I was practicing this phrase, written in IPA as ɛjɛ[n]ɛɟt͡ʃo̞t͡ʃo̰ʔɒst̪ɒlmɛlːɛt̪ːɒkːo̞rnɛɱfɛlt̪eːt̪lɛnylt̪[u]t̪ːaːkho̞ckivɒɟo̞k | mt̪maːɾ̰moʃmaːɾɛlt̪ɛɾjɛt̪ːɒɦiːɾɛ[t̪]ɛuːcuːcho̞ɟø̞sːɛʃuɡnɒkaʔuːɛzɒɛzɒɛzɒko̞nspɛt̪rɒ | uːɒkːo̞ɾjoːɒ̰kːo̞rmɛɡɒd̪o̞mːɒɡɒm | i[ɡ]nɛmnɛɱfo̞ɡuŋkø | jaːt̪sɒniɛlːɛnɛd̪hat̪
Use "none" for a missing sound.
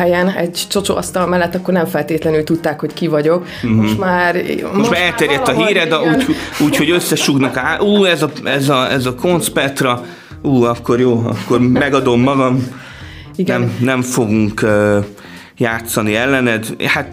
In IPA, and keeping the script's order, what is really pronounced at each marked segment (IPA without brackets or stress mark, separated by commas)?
n, u, d̪, ɡ